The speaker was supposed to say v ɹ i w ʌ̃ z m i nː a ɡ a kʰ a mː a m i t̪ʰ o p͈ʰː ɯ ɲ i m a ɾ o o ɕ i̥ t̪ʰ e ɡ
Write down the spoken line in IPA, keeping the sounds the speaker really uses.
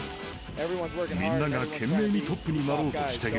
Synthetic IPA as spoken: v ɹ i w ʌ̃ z m i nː a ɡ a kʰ e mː e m i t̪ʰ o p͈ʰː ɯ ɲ i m a ɾ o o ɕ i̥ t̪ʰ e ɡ